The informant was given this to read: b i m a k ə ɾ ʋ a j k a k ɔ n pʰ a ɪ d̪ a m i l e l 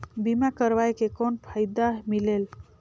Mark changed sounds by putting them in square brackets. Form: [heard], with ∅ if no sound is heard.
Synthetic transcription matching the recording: b i m a k ə ɾ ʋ a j k [e] k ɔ n pʰ a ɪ d̪ a m i l e l